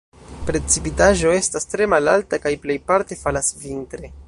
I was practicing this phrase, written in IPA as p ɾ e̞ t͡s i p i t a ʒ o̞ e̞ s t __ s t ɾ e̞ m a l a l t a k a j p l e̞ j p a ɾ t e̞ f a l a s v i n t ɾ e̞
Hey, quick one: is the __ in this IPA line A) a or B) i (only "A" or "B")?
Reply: A